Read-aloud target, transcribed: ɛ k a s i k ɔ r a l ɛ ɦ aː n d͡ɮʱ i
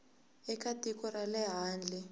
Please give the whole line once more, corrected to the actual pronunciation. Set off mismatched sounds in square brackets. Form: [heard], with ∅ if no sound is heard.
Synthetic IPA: ɛ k a [t] i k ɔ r a l ɛ ɦ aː n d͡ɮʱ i